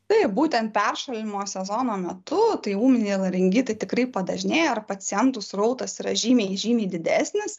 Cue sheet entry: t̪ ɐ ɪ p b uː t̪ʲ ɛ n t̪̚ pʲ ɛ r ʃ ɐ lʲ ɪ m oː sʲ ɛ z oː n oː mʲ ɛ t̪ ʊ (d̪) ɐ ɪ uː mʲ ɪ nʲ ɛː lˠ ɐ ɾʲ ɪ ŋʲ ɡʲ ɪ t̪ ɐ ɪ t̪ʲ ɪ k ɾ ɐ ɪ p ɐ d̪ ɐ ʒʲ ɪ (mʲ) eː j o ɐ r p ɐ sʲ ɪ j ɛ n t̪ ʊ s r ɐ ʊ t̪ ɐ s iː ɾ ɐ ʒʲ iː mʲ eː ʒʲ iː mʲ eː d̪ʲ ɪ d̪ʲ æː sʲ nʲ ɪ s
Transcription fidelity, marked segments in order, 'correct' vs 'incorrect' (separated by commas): incorrect, incorrect